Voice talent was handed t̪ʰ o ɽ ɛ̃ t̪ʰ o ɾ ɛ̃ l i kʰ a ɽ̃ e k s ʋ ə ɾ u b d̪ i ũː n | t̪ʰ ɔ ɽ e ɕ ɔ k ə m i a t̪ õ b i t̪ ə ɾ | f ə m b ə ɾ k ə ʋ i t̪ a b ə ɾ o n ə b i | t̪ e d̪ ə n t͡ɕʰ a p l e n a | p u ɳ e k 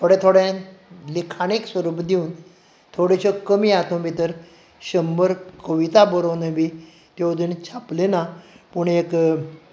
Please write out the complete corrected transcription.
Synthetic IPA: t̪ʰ o ɽ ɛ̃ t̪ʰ o ɽ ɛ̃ l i kʰ a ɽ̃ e k s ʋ ə ɾ u b d̪ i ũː n | t̪ʰ o ɽ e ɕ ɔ k ə m i a t̪ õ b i t̪ ə ɾ | ɕ ə m b ə ɾ k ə ʋ i t̪ a b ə ɾ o n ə b i | t̪ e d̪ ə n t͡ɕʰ a p l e n a | p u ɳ e k